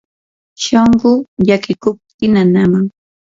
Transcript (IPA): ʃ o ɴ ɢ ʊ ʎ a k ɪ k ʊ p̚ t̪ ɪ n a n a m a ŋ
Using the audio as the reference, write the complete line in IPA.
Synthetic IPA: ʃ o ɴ ɢ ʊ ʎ a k ɪ k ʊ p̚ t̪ ɪ n a n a m a ŋ